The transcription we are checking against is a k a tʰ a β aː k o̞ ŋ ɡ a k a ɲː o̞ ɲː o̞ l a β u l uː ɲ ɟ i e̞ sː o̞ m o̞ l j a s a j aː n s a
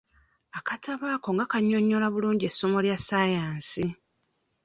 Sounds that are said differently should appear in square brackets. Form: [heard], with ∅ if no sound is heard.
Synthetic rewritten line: a k a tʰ a β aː k o̞ ŋ ɡ a k a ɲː o̞ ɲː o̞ l a β u l uː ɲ ɟ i e̞ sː o̞ m o̞ l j a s a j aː n s [i]

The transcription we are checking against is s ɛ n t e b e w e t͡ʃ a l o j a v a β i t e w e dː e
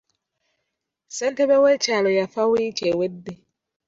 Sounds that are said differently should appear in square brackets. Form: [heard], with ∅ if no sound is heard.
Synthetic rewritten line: s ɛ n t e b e w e t͡ʃ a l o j a [f] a [w] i [t͡ʃ] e w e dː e

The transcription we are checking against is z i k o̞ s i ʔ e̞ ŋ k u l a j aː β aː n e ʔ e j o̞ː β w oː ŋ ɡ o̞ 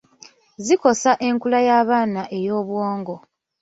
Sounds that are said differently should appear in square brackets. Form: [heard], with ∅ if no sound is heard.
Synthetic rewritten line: z i k o̞ s [a] ʔ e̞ ŋ k u l a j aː β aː n [a] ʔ e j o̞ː β w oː ŋ ɡ o̞

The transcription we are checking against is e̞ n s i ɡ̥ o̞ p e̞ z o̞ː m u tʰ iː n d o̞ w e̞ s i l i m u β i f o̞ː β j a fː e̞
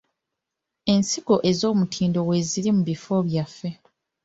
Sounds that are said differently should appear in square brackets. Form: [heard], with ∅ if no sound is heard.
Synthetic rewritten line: e̞ n s i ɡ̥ o̞ [ʔ] e̞ z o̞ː m u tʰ iː n d o̞ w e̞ [z] i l i m u β i f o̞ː β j a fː e̞

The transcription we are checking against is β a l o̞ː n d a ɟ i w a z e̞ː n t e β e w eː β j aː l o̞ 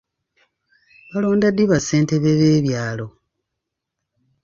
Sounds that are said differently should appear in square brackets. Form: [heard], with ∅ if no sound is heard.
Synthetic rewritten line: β a l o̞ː n d a [d] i [β] a [s] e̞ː n t e β e [β] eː β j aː l o̞

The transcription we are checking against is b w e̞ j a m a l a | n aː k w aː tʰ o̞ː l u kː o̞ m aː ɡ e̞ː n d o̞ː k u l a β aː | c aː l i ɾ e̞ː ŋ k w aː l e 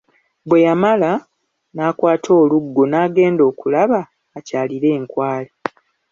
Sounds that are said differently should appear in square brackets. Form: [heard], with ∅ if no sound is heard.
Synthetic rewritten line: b w e̞ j a m a l a | n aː k w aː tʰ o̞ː l u [ɡː] o̞ [n] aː ɡ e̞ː n d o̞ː k u l a β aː | c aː l i ɾ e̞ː ŋ k w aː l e

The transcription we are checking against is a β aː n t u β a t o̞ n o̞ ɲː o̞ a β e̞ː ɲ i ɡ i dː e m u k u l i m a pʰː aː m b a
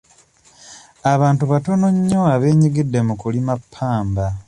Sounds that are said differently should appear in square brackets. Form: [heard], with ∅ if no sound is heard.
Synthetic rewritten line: a β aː n t u β a t o̞ n o̞ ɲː o̞ a β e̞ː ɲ i ɡ i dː e m u k u l i m a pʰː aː m b a

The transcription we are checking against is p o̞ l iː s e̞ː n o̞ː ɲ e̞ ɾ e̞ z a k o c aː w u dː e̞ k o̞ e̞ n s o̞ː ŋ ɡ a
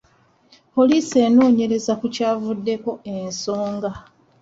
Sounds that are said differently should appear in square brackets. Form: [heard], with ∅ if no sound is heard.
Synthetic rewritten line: p o̞ l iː s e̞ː n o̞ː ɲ e̞ ɾ e̞ z a k [u] c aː [v] u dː e̞ k o̞ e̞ n s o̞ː ŋ ɡ a

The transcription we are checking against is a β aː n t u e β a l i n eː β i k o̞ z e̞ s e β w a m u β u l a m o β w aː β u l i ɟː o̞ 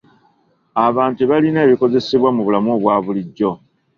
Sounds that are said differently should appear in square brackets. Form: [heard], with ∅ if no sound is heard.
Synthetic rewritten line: a β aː n t u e β a l i n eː β i k o̞ z e̞ s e β w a m u β u l a m o β w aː β u l i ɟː o̞

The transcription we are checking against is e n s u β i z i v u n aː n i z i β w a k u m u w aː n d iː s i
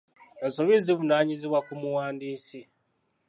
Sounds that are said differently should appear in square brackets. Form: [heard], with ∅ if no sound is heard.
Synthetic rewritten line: e n s [o] β i z i [β] u n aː [ɲ] i z i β w a k u m u w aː n d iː s i

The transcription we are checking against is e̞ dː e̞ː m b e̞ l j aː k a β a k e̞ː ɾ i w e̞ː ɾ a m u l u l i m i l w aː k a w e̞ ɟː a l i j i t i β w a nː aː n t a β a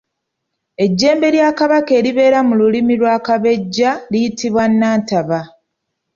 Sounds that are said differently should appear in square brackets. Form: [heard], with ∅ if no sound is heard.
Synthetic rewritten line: e̞ [ɟː] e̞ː m b e̞ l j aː k a β a k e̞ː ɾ i [β] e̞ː ɾ a m u l u l i m i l w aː k a [β] e̞ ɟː a l i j i t i β w a nː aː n t a β a

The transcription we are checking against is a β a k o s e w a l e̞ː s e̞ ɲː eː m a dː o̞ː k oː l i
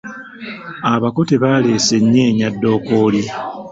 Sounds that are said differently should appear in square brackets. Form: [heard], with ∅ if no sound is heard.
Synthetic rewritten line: a β a k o [t] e [β] a l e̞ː s e̞ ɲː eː [ɲ] a dː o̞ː k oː l i

